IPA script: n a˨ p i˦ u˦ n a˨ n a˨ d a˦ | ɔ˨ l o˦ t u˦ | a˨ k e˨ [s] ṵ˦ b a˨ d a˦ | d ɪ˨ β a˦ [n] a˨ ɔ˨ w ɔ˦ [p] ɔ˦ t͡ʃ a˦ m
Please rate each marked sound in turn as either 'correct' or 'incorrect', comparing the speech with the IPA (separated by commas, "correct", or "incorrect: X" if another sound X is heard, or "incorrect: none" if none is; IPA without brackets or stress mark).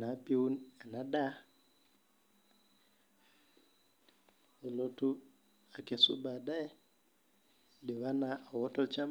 correct, correct, incorrect: t